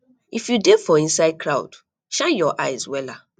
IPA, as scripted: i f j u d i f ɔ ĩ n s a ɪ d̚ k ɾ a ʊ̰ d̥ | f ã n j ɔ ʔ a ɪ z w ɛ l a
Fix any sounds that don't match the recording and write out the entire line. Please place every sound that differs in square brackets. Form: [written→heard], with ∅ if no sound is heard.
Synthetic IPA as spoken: i f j u d [i→e] f ɔ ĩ n s a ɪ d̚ k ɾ a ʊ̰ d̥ | [f→ʃ] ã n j ɔ ʔ a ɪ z w ɛ l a